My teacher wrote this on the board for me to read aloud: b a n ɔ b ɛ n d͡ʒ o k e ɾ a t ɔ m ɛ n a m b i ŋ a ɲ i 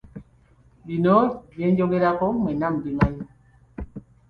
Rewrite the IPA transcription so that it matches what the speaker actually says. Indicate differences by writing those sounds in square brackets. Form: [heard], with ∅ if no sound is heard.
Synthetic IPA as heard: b [i] n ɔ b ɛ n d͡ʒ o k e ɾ a [k] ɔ m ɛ n a m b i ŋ a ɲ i

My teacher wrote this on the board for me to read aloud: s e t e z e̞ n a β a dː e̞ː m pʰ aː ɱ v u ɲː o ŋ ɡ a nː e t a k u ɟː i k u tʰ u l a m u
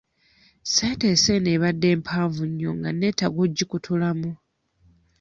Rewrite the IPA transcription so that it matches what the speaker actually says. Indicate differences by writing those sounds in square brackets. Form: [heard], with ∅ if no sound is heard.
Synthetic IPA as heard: s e t e [s] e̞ n [e] β a dː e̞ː m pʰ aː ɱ v u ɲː o ŋ ɡ a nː e t a [ɡ] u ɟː i k u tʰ u l a m u

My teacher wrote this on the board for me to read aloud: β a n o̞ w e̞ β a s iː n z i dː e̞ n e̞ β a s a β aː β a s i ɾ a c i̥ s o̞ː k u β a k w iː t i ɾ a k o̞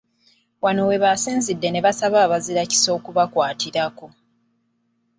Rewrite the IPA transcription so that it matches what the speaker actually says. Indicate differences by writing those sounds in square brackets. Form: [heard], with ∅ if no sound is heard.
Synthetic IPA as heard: [w] a n o̞ w e̞ β a s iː n z i dː e̞ n e̞ β a s a β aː β a [z] i ɾ a c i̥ s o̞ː k u β a k w [aː] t i ɾ a k o̞

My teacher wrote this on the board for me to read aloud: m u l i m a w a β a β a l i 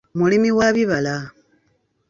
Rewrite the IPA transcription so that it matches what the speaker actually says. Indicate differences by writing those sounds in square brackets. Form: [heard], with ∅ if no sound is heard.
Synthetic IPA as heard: m u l i m [i] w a β [i] β a l [a]

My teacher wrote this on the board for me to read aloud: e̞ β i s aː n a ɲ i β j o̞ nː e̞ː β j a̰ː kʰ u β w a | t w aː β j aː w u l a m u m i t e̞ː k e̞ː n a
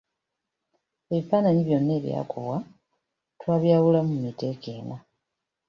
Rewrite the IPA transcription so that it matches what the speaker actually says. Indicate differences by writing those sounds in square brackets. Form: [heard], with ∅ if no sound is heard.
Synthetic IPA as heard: e̞ β i [f] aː n a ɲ i β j o̞ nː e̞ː β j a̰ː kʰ u β w a | t w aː β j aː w u l a m u m i t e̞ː k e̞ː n a

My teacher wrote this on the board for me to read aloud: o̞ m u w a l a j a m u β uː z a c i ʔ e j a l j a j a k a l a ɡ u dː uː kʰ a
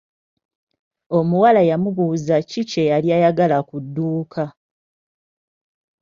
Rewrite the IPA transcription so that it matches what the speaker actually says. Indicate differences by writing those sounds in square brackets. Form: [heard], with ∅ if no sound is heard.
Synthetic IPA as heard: o̞ m u w a l a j a m u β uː z a c i [c] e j a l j a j a [ɡ] a l a [k] u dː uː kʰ a

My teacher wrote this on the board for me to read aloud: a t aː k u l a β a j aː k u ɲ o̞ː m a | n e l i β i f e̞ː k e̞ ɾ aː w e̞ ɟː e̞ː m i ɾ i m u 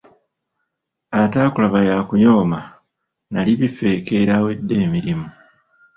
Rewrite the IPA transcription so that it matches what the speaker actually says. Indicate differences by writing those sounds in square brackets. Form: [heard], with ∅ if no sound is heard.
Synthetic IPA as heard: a t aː k u l a β a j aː k u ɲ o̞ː m a | n [a] l i β i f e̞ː k e̞ ɾ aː w e̞ [dː] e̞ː m i ɾ i m u

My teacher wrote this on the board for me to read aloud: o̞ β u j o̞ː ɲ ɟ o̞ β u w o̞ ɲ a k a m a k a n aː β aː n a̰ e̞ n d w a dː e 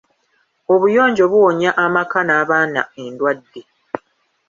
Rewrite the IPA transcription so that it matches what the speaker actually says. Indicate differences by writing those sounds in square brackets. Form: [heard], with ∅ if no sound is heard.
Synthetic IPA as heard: o̞ β u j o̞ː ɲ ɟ o̞ β u w o̞ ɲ a [ʔ] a m a k a n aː β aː n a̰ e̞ n d w a dː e

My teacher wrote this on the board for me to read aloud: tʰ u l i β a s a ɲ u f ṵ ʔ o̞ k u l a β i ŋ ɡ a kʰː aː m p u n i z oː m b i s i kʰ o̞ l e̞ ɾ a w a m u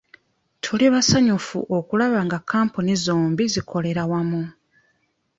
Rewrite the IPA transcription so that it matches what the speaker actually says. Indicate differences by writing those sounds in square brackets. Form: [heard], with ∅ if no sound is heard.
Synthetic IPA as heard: tʰ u l i β a s a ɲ u f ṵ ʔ o̞ k u l a β [a] ŋ ɡ a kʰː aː m p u n i z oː m b i [z] i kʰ o̞ l e̞ ɾ a w a m u

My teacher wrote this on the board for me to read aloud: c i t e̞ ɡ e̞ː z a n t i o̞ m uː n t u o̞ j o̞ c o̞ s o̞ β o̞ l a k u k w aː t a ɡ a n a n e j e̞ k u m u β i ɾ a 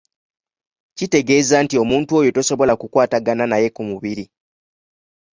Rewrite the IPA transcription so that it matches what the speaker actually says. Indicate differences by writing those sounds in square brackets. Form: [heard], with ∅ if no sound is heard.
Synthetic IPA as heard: c i t e̞ ɡ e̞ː z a n t i o̞ m uː n t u o̞ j o̞ [t] o̞ s o̞ β o̞ l a k u k w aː t a ɡ a n a n [a] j e̞ k u m u β i ɾ [i]

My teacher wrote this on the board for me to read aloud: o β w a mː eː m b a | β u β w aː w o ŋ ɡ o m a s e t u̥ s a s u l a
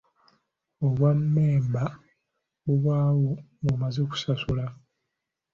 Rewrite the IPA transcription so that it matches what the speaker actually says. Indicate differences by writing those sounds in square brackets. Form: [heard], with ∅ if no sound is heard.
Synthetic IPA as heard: o β w a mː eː m b a | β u β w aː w o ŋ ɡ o m a [z] e [k] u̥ s a s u l a

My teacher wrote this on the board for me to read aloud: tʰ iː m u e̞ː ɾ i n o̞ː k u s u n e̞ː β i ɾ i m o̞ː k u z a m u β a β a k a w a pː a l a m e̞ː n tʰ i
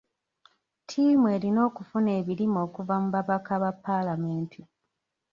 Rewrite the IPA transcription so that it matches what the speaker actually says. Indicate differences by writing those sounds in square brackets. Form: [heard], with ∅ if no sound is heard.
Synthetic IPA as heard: tʰ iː m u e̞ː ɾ i n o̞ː k u [f] u n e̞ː β i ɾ i m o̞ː k u [v] a m u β a β a k a [β] a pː a l a m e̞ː n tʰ i

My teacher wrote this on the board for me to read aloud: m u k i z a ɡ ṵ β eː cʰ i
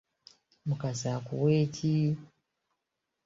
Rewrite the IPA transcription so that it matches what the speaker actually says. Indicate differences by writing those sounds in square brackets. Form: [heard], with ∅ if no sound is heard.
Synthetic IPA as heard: m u k [a] z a [k] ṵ [w] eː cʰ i

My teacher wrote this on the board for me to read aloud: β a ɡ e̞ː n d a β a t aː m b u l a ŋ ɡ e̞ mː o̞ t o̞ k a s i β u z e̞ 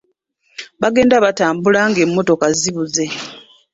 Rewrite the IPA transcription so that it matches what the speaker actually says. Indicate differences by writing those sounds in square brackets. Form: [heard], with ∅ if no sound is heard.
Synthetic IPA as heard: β a ɡ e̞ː n d a β a t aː m b u l a ŋ ɡ e̞ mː o̞ t o̞ k a [z] i β u z e̞

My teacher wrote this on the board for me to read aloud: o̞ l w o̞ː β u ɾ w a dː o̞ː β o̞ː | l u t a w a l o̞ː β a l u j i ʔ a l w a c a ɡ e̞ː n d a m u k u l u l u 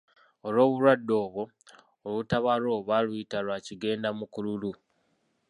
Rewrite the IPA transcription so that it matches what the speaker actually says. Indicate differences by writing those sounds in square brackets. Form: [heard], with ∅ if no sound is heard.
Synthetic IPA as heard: o̞ l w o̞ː β u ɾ w a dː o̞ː β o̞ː | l u t a [β] a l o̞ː β a l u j i [t] a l w a c [i] ɡ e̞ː n d a m u k u l u l u

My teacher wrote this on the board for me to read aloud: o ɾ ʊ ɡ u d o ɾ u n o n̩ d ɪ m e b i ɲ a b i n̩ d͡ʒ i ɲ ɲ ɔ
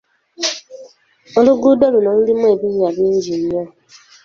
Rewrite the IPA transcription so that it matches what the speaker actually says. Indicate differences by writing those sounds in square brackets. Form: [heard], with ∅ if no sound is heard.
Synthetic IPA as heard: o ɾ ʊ ɡ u d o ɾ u n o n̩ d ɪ m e b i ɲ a b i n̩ d͡ʒ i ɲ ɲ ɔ

